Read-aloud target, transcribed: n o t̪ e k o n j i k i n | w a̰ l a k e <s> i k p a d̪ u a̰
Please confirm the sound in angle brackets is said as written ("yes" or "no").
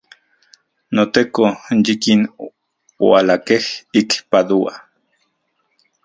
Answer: no